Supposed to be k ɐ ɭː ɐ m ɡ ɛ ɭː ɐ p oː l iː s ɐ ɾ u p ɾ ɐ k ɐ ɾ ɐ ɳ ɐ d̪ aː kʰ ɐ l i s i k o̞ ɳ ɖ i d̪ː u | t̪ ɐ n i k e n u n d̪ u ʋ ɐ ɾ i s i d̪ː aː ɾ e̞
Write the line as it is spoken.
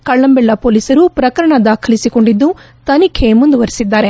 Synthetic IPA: k ɐ ɭː ɐ m b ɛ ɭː ɐ p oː l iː s ɐ ɾ u p ɾ ɐ k ɐ ɾ ɐ ɳ ɐ d̪ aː kʰ ɐ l i s i k o̞ ɳ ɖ i d̪ː u | t̪ ɐ n i kʰ e m u n d̪ u ʋ ɐ ɾ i s i d̪ː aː ɾ e̞